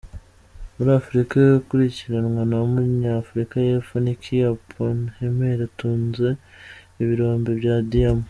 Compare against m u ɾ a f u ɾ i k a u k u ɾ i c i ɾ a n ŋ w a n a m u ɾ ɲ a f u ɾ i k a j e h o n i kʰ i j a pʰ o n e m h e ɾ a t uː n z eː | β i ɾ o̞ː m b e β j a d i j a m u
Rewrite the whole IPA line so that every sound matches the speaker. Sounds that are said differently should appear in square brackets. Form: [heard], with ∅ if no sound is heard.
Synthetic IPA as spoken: m u ɾ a f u ɾ i k a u k u ɾ i c i ɾ a n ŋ w a n a m u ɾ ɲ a f u ɾ i k a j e [f] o n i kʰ i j a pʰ o n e m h e ɾ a t uː n z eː | β i ɾ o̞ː m b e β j a d i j a m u